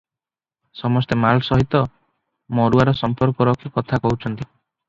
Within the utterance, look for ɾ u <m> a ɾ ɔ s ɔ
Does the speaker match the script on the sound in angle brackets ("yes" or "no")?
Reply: no